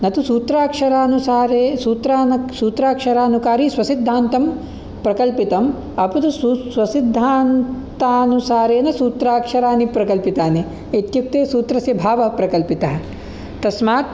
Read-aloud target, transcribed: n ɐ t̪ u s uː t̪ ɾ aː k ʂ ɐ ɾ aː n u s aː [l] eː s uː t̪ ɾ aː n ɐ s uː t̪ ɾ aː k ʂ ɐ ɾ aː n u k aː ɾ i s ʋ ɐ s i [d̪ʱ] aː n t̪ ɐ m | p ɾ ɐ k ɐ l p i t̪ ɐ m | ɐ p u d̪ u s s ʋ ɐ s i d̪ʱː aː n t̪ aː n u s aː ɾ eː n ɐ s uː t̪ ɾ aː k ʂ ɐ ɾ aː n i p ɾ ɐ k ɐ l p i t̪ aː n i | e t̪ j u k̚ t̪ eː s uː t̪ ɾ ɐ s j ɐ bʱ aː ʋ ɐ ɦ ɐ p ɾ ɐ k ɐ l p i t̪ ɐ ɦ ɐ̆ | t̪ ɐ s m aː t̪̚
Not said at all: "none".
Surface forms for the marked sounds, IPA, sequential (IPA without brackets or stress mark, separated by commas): ɾ, d̪ʱː